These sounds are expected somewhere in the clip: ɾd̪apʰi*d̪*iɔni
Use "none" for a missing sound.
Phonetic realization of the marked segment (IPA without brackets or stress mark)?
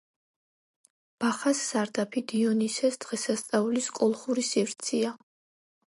d̪